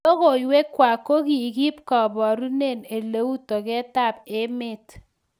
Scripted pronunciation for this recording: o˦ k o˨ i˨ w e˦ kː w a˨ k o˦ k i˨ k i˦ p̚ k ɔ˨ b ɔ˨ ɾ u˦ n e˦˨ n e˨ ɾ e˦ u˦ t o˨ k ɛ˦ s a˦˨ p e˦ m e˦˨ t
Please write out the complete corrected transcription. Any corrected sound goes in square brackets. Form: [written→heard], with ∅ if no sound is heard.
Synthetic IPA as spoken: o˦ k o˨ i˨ w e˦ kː w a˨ k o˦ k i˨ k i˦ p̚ k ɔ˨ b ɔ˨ ɾ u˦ n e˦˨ n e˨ [ɾ→l] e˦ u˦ t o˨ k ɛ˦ [s→t] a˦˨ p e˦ m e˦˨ t